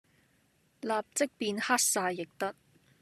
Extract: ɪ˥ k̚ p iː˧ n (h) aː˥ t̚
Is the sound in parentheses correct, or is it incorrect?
correct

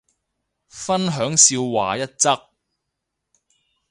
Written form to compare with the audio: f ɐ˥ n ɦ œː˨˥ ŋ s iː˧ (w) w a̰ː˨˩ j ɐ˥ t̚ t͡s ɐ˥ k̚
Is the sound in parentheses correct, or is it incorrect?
correct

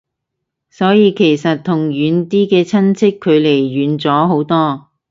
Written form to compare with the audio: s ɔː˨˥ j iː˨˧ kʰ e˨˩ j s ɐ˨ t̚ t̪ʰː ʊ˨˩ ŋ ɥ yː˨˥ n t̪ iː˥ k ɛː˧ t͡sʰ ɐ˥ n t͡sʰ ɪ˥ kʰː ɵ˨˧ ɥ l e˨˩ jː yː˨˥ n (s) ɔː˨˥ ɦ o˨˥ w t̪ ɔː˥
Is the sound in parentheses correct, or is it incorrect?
incorrect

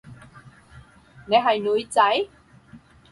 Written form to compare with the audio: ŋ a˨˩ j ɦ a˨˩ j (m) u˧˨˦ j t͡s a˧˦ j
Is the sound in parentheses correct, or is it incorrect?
incorrect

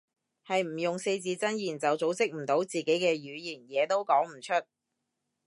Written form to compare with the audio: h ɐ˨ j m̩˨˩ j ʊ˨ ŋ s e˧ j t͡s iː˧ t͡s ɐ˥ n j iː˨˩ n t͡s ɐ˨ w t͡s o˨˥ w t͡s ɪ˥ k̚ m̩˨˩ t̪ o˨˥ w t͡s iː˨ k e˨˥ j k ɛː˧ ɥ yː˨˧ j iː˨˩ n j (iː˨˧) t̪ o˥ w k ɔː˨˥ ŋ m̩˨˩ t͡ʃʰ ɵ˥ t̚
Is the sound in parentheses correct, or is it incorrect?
incorrect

